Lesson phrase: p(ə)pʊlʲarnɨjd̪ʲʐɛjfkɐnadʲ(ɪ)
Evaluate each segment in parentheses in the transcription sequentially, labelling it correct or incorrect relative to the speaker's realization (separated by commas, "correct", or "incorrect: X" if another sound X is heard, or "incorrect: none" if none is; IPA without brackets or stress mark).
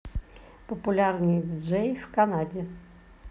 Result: correct, correct